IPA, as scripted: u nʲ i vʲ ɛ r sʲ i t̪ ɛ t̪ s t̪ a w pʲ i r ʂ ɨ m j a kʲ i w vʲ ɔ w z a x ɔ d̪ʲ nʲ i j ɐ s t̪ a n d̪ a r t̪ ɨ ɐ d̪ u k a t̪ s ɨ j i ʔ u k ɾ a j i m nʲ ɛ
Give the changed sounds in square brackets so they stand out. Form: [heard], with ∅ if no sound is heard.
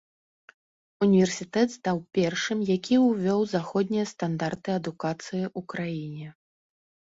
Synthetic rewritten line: u nʲ i vʲ ɛ r sʲ i t̪ ɛ t̪ s t̪ a w pʲ [ɛ] r ʂ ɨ m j a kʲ i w vʲ ɔ w z a x ɔ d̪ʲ nʲ i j ɐ s t̪ a n d̪ a r t̪ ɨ ɐ d̪ u k a t̪ s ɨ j i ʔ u k ɾ a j i [∅] nʲ ɛ